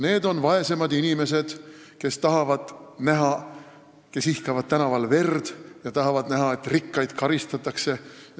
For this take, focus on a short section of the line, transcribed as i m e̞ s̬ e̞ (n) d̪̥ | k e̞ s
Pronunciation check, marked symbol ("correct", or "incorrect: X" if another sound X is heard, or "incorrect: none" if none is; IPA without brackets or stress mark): incorrect: none